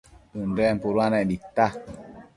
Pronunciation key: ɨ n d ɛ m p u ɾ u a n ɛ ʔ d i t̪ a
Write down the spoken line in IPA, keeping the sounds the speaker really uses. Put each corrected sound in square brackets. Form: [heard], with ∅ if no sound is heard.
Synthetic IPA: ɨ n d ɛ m p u ɾ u a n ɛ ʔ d i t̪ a